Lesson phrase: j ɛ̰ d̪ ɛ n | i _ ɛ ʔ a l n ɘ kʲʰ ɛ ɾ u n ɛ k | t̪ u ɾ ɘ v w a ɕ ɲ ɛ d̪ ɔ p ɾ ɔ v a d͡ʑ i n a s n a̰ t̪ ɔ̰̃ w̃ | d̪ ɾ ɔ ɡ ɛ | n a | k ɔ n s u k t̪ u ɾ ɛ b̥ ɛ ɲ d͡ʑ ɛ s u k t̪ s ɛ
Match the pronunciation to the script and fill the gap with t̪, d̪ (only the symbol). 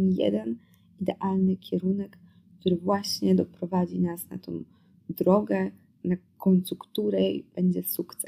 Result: d̪